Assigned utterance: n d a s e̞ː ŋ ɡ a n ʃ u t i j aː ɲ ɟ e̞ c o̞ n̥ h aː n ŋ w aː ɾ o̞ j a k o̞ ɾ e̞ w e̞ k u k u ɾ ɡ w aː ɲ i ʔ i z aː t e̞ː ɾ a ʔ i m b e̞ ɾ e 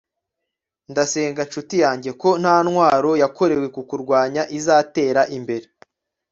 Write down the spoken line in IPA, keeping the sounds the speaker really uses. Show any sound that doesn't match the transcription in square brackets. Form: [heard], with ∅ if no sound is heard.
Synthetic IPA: n d a s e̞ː ŋ ɡ a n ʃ u t i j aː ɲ ɟ e̞ [k] o̞ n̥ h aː n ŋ w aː ɾ o̞ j a k o̞ ɾ e̞ w e̞ k u k u ɾ ɡ w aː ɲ [a] ʔ i z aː t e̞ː ɾ a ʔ i m b e̞ ɾ e

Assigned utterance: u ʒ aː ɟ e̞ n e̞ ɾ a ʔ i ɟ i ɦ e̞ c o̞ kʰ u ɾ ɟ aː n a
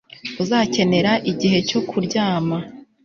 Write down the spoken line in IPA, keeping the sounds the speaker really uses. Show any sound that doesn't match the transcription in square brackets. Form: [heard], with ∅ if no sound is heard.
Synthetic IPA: u [z] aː [c] e̞ n e̞ ɾ a ʔ i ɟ i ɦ e̞ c o̞ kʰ u ɾ ɟ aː [m] a

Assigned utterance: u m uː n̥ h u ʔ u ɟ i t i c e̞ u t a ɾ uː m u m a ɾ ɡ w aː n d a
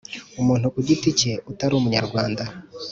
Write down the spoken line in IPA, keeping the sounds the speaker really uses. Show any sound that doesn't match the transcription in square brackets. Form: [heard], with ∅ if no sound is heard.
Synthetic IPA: u m uː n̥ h u [k] u ɟ i t i c e̞ u t a ɾ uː m u [ɲ] a ɾ ɡ w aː n d a

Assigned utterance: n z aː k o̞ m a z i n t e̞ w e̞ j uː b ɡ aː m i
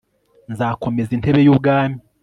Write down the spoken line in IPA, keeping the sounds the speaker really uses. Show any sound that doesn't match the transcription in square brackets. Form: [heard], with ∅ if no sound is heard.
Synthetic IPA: n z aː k o̞ m [e] z i n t e̞ [β] e̞ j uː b ɡ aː m i

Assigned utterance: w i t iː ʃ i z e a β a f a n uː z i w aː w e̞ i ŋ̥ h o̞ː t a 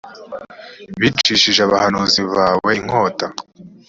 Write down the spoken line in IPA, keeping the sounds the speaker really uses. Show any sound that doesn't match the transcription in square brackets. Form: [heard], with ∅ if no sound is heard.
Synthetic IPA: [β] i [t͡ʃ] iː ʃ i [ʒ] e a β a [h] a n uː z i [β] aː w e̞ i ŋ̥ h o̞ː t a

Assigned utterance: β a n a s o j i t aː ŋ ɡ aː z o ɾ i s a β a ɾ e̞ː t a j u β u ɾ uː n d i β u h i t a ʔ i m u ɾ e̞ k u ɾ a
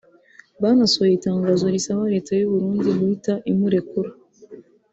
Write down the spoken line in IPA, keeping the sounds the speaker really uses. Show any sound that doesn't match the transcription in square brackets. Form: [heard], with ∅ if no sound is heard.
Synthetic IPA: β a n a s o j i t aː ŋ ɡ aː z o ɾ i s a β a ɾ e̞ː t a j u β u ɾ uː n d i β u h i t a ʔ i m u ɾ e̞ k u ɾ a

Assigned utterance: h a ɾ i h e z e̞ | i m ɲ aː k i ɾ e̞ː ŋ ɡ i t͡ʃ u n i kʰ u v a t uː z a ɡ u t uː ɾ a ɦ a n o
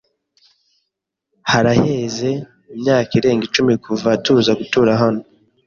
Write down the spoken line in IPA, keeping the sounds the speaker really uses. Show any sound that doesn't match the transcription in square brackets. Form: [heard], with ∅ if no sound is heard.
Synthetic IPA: h a ɾ [a] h e z e̞ | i m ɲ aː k i ɾ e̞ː ŋ ɡ i t͡ʃ u [m] i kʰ u v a t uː z a ɡ u t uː ɾ a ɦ a n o

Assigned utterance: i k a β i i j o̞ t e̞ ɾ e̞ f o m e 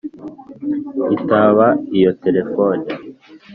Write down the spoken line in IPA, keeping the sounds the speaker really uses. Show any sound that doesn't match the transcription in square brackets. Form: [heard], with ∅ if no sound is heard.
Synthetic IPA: i [t] a β [a] i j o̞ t e̞ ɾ e̞ f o [n] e

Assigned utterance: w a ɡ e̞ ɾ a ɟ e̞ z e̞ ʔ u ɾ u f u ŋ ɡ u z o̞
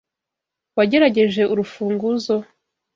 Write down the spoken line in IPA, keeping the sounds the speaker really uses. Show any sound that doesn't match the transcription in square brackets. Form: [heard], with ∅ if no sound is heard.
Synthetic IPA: w a [ɟ] e̞ ɾ a ɟ e̞ [ʒ] e̞ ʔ u ɾ u f [uː] ŋ ɡ u z o̞

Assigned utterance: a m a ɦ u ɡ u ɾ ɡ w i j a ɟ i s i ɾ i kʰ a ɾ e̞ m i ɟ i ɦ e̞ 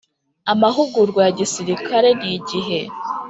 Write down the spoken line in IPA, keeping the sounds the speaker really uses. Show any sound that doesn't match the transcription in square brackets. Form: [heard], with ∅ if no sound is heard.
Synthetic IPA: a m a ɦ u ɡ u ɾ ɡ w [a] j a ɟ i s i ɾ i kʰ a ɾ e̞ [n] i ɟ i ɦ e̞

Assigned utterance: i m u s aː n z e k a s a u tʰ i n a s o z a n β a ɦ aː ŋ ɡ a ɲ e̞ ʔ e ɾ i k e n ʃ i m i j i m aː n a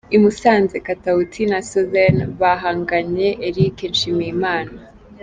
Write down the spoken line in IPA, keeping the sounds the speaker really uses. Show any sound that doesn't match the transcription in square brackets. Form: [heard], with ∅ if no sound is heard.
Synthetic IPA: i m u s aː n z e k a [t] a u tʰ i n a s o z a n β a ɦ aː ŋ ɡ a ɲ e̞ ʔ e ɾ i k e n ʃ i m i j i m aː n a

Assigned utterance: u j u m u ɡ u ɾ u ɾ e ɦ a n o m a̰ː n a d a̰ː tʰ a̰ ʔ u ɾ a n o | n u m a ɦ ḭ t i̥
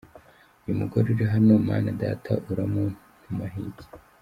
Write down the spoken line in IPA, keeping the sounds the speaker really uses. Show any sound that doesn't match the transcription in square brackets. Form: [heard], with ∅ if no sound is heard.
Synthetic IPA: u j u m u ɡ [o] ɾ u ɾ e ɦ a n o m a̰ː n a d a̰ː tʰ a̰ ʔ u ɾ a [m] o | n u m a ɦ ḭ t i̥

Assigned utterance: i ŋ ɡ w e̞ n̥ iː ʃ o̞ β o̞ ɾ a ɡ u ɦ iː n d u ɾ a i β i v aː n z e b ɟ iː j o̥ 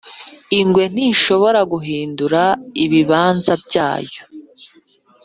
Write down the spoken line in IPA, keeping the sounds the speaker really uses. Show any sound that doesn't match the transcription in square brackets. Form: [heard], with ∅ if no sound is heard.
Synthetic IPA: i ŋ ɡ w e̞ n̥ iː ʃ o̞ β o̞ ɾ a ɡ u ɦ iː n d u ɾ a i β i [β] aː n z [a] b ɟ [aː] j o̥

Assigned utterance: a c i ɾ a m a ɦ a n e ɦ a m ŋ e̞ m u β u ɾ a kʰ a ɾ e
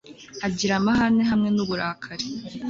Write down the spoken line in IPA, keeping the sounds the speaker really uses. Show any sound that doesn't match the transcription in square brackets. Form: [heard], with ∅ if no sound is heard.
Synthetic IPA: a [ɟ] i ɾ a m a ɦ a n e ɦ a m ŋ e̞ [n] u β u ɾ a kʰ a ɾ e

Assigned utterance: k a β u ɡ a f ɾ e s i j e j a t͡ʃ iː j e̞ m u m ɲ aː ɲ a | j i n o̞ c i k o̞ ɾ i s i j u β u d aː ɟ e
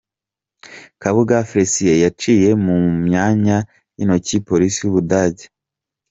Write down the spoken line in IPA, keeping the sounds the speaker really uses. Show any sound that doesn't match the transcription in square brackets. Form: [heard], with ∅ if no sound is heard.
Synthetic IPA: k a β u ɡ a f ɾ e s i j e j a t͡ʃ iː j e̞ m u m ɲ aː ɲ a | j i n o̞ c i [p] o̞ ɾ i s i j u β u d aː ɟ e

